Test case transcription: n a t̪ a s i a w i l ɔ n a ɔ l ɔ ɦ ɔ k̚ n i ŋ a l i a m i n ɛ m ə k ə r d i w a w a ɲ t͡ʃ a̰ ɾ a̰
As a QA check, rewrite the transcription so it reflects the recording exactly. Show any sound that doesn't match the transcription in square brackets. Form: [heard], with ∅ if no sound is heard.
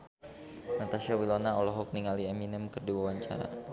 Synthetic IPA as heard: n a t̪ a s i a w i l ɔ n a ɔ l ɔ ɦ ɔ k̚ n i ŋ a l i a m i n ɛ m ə k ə r d i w a w a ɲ t͡ʃ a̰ ɾ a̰